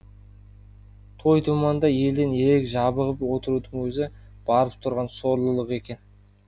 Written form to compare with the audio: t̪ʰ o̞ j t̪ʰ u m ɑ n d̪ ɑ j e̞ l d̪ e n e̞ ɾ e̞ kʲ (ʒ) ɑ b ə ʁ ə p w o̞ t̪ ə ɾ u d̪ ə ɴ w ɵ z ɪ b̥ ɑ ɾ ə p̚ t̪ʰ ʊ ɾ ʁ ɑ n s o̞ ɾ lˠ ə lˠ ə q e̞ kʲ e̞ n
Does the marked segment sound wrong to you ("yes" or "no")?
no